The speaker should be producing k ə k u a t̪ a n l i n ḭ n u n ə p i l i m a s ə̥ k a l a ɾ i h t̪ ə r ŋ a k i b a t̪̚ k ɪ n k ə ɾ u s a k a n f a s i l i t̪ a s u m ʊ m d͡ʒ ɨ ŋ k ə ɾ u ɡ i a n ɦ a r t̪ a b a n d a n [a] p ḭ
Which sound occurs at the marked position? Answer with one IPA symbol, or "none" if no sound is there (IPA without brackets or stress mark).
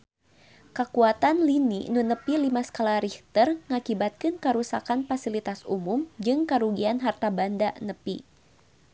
ə